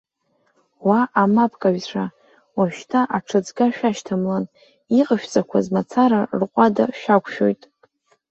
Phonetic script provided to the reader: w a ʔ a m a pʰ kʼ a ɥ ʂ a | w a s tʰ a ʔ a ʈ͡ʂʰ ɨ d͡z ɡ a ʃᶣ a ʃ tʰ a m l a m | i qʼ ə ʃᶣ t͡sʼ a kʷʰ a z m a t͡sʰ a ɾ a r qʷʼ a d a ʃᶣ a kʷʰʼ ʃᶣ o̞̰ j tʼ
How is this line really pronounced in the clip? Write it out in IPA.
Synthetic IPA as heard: w a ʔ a m a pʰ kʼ a ɥ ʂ a | w a ʃ tʰ a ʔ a ʈ͡ʂʰ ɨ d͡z ɡ a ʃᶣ a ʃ tʰ a m l a n | i qʼ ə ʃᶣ t͡sʼ a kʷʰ a z m a t͡sʰ a ɾ a r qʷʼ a d a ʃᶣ a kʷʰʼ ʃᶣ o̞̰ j tʼ